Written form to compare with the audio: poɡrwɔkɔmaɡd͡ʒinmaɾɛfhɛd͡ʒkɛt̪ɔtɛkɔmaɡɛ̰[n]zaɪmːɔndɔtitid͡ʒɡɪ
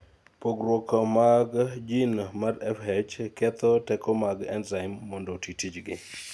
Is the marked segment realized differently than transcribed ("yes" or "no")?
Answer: no